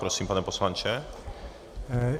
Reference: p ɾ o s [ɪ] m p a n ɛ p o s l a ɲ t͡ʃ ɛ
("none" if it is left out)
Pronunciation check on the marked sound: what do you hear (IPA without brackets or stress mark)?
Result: i